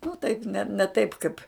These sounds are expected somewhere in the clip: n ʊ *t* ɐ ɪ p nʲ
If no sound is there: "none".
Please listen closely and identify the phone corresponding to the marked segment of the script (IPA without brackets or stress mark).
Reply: t